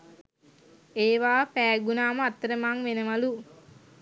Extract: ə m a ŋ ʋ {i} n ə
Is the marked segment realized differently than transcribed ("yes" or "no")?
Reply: yes